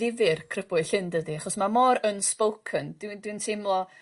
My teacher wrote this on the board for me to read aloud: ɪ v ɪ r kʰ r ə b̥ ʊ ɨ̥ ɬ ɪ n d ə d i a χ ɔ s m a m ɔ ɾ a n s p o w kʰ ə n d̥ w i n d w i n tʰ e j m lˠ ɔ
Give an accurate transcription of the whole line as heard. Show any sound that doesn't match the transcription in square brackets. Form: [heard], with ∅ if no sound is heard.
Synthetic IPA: ɪ v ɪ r kʰ r ə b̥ ʊ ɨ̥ ɬ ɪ n d ə d i a χ ɔ s m a m ɔ ɾ [ə] n s p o w kʰ ə n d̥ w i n d w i n tʰ e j m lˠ ɔ